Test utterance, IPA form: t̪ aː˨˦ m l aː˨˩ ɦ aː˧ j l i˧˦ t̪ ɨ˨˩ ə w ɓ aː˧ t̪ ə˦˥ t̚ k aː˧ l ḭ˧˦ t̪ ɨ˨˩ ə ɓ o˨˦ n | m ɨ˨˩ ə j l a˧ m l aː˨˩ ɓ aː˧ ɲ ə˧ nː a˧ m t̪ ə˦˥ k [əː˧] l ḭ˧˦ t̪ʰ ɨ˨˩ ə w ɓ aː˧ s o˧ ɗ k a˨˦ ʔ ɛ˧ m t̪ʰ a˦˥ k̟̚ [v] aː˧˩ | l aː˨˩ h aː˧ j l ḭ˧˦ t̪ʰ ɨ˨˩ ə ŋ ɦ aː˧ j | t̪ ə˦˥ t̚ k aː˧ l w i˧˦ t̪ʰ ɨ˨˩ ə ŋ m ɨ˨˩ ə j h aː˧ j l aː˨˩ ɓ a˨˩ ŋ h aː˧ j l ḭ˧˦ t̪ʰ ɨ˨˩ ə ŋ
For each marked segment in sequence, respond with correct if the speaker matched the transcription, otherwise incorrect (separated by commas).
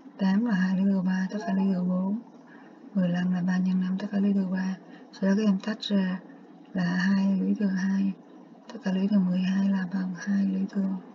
incorrect, incorrect